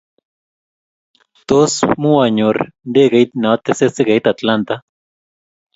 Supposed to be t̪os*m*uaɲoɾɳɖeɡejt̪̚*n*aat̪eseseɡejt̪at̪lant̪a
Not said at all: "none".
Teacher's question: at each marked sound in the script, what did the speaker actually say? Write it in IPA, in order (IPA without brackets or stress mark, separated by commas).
m, n